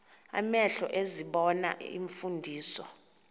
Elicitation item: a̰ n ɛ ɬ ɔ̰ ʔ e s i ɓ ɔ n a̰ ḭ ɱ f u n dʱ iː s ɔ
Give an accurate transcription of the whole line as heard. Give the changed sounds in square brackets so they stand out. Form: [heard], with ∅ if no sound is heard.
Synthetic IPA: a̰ [m] ɛ ɬ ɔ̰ ʔ e [z] i ɓ ɔ n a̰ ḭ ɱ f u n dʱ iː s ɔ